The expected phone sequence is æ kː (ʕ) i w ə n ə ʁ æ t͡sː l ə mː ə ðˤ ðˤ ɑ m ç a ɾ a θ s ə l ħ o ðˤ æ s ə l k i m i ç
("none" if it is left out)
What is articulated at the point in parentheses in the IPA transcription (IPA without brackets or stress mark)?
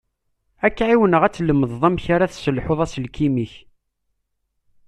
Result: ʕ